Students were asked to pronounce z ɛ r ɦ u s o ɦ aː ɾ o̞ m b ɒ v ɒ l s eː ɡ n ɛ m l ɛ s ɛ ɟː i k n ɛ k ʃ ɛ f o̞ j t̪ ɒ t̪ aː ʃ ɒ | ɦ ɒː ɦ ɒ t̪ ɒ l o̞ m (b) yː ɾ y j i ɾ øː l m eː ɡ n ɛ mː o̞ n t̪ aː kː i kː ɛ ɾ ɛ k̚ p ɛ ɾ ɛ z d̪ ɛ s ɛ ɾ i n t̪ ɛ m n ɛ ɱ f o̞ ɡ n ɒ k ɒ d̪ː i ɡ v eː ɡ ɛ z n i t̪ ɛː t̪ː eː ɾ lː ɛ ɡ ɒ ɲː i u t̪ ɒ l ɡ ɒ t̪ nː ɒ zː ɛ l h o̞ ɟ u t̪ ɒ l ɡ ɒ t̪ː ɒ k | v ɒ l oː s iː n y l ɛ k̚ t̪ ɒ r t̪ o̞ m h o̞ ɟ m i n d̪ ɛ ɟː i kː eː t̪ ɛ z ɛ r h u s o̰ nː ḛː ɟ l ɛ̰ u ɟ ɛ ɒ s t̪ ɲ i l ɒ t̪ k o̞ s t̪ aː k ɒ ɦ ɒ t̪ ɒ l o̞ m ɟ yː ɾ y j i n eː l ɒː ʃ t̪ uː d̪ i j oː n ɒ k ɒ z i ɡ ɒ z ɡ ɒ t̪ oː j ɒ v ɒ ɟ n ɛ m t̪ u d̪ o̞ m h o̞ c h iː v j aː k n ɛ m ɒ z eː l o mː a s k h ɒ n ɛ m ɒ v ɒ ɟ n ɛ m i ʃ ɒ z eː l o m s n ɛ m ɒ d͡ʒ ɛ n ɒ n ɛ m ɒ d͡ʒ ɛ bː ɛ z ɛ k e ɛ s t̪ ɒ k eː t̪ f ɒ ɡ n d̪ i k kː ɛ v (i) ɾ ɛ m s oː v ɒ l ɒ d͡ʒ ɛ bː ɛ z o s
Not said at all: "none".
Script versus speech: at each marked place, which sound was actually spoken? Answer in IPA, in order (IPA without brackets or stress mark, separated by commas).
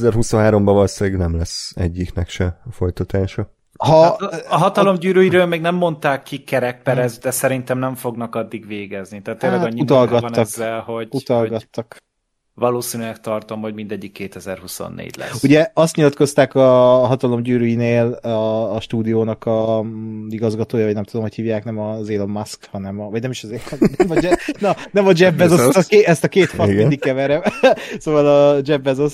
ɟ, ɛ